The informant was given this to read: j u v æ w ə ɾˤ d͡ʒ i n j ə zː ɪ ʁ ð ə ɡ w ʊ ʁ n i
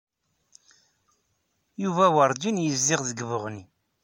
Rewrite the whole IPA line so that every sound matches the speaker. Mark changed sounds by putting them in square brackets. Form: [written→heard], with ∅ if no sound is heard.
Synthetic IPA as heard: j u v æ w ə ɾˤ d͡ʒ i n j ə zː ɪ ʁ ð ə ɡ [w→v] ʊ ʁ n i